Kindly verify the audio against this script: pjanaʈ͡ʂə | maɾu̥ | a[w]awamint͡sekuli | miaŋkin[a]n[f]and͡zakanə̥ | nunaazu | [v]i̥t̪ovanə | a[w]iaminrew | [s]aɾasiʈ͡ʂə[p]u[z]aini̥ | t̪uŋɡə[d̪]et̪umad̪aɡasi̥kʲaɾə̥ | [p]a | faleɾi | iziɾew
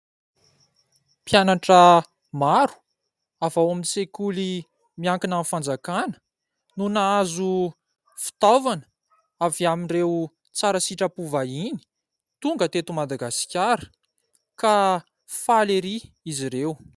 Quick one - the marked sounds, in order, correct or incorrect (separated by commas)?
incorrect, correct, correct, incorrect, incorrect, incorrect, correct, incorrect, incorrect, incorrect